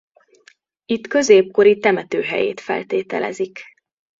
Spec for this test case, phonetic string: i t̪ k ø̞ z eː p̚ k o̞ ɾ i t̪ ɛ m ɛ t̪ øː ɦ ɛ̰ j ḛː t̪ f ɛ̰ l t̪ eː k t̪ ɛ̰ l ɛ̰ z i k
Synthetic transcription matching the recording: i t̪ k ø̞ z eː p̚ k o̞ ɾ i t̪ ɛ m ɛ t̪ øː ɦ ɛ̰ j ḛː t̪ f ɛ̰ l t̪ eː t̪ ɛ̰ l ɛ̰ z i k